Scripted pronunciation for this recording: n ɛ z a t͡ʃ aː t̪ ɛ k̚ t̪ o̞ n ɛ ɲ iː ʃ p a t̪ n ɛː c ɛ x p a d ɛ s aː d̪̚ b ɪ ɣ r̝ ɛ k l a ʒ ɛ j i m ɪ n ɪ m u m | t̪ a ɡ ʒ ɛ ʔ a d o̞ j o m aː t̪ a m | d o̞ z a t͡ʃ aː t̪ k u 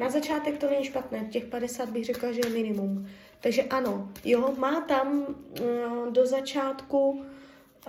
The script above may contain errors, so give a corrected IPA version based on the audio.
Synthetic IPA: n a z a t͡ʃ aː t̪ ɛ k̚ t̪ o̞ n ɛ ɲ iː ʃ p a t̪ n ɛː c ɛ x p a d ɛ s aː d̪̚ b ɪ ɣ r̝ ɛ k l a ʒ ɛ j ɛ m ɪ n ɪ m u m | t̪ a ɡ ʒ ɛ ʔ a n o̞ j o m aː t̪ a m | d o̞ z a t͡ʃ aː t̪ k u